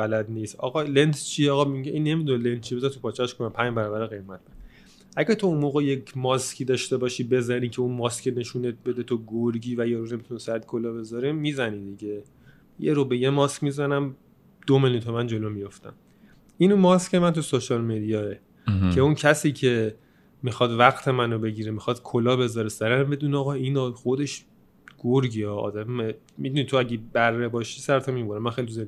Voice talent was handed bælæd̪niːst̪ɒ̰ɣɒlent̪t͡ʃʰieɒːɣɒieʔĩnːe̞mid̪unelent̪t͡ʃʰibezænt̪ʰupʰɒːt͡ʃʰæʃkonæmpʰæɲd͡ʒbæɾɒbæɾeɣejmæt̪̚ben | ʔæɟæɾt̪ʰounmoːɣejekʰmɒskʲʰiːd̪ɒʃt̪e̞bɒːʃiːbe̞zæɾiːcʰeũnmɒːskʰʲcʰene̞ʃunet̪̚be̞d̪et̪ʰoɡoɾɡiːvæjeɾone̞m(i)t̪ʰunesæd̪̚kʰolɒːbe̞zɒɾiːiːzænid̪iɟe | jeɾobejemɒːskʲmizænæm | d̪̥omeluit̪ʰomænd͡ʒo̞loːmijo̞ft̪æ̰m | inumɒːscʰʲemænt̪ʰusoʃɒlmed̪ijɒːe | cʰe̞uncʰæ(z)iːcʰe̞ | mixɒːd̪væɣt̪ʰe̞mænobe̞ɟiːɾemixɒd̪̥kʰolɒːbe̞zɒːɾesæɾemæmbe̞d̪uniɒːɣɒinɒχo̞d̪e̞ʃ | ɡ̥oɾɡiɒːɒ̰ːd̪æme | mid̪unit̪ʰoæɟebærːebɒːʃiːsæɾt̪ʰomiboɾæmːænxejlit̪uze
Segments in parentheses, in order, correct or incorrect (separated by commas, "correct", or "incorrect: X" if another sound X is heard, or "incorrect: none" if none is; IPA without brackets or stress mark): correct, incorrect: s